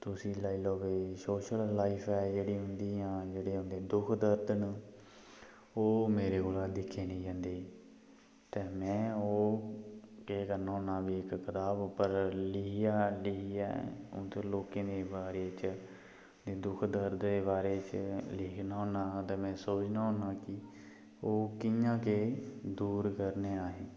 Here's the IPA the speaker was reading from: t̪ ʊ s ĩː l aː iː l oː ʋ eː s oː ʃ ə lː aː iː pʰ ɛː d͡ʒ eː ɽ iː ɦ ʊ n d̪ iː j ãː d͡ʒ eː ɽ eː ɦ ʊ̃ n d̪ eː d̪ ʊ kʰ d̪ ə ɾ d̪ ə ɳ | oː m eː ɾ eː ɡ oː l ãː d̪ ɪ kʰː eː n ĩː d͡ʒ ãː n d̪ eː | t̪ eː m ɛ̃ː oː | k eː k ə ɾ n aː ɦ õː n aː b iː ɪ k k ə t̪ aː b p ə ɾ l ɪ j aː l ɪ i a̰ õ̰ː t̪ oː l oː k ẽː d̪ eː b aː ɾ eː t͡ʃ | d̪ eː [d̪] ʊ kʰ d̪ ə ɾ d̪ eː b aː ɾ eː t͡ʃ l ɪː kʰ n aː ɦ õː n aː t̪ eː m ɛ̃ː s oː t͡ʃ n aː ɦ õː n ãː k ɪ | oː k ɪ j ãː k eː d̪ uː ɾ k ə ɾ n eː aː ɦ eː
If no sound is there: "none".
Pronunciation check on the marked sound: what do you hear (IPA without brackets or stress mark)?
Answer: d̪